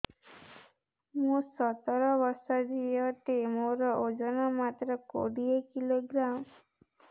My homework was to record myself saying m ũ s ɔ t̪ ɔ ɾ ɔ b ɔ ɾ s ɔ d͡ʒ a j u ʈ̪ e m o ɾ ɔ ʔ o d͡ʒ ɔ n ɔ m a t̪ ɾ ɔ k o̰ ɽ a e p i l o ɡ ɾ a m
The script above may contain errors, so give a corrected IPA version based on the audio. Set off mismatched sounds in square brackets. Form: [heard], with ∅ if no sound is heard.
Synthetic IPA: m ũ s ɔ t̪ ɔ ɾ ɔ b ɔ ɾ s ɔ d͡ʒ [i] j [ɔ] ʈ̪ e m o ɾ ɔ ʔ o d͡ʒ ɔ n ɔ m a t̪ ɾ ɔ k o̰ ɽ [i] e [k] i l o ɡ ɾ a m

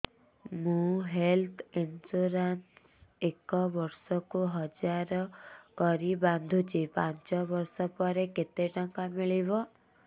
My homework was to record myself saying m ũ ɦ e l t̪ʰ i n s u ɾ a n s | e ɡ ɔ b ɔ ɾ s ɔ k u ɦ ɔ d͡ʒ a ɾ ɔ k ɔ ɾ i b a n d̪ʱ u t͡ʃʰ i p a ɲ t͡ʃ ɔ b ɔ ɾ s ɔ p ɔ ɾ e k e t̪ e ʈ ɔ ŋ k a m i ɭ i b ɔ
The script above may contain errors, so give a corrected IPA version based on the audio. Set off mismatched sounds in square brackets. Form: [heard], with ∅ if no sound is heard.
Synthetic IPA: m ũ ɦ e l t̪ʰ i n s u ɾ a n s | e [k] ɔ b ɔ ɾ s ɔ k u ɦ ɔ d͡ʒ a ɾ ɔ k ɔ ɾ i b a n d̪ʱ u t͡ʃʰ i p a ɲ t͡ʃ ɔ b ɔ ɾ s ɔ p ɔ ɾ e k e t̪ e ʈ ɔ ŋ k a m i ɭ i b ɔ

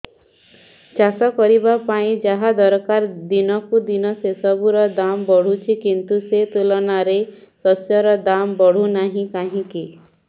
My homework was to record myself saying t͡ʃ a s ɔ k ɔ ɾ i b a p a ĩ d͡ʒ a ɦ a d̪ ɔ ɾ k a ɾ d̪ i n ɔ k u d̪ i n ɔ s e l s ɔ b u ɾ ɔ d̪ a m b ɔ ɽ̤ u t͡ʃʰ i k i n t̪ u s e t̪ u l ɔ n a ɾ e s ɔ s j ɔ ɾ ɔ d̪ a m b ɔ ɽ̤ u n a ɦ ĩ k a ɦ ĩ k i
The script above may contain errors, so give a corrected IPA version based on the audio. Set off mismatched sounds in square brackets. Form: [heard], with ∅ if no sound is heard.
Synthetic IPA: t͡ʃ a s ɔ k ɔ ɾ i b a p a ĩ d͡ʒ a ɦ a d̪ ɔ ɾ k a ɾ d̪ i n ɔ k u d̪ i n ɔ s e [∅] s ɔ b u ɾ ɔ d̪ a m b ɔ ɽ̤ u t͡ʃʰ i k i n t̪ u s e t̪ u l ɔ n a ɾ e s ɔ s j ɔ ɾ ɔ d̪ a m b ɔ ɽ̤ u n a ɦ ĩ k a ɦ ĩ k i

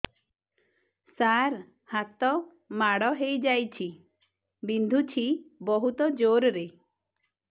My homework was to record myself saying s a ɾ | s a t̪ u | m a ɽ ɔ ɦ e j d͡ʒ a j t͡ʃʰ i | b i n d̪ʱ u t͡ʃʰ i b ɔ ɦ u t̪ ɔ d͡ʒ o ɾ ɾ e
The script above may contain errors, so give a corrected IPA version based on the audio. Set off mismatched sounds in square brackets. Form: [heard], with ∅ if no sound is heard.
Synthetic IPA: s a ɾ | [h] a t̪ [ɔ] | m a ɽ ɔ ɦ e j d͡ʒ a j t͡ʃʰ i | b i n d̪ʱ u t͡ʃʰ i b ɔ ɦ u t̪ ɔ d͡ʒ o ɾ ɾ e

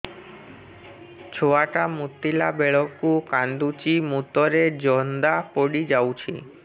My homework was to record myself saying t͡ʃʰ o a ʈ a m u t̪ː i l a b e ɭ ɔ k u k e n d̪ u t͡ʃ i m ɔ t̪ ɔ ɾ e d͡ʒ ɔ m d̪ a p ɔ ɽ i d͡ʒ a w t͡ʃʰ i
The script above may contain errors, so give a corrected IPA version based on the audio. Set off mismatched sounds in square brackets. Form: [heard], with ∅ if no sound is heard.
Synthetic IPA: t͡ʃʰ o a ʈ a m u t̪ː i l a b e ɭ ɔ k u k [a] n d̪ u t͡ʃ i m [u] t̪ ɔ ɾ e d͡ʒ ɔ [n] d̪ a p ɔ ɽ i d͡ʒ a w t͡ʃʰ i

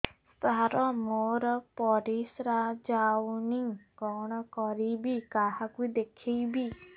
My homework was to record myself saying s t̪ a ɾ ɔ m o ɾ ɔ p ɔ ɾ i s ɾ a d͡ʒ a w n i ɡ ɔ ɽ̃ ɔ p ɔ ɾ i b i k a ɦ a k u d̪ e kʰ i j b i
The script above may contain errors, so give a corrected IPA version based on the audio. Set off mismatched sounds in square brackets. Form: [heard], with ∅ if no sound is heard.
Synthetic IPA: s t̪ a ɾ ɔ m o ɾ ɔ p ɔ ɾ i s ɾ a d͡ʒ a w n i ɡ ɔ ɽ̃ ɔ [k] ɔ ɾ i b i k a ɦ a k u d̪ e kʰ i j b i

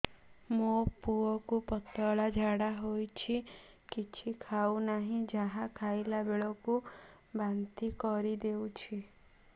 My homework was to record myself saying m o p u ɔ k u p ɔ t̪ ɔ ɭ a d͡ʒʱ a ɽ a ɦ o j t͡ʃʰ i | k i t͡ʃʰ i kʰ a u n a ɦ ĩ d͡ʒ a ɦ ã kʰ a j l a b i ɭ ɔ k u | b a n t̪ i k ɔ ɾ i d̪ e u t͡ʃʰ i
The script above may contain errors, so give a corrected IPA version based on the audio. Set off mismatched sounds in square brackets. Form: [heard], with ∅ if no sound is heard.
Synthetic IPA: m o p u ɔ k u p ɔ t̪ ɔ ɭ a d͡ʒʱ a ɽ a ɦ o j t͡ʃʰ i | k i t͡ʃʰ i kʰ a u n a ɦ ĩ d͡ʒ a ɦ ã kʰ a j l a b [e] ɭ ɔ k u | b a n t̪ i k ɔ ɾ i d̪ e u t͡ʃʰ i

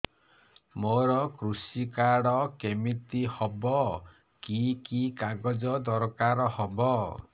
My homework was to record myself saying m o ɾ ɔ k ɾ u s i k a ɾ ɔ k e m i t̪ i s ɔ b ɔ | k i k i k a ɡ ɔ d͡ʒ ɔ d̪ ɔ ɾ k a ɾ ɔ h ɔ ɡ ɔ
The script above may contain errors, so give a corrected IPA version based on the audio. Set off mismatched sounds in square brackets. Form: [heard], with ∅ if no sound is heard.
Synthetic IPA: m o ɾ ɔ k ɾ u s i k a [ɽ] ɔ k e m i t̪ i [h] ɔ b ɔ | k i k i k a ɡ ɔ d͡ʒ ɔ d̪ ɔ ɾ k a ɾ ɔ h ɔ [b] ɔ

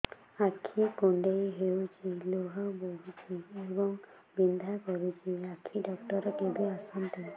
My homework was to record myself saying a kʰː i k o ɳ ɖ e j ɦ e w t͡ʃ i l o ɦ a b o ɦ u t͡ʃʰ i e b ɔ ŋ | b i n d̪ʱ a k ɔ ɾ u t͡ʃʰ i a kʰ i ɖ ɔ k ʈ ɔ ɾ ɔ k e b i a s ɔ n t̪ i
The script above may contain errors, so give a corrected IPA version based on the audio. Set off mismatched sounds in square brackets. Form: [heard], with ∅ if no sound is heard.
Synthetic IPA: a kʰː i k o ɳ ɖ e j ɦ e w t͡ʃ i l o ɦ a b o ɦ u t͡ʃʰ i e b ɔ ŋ | b i n d̪ʱ a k ɔ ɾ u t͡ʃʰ i a kʰ i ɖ ɔ k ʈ ɔ ɾ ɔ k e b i a s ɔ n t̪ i

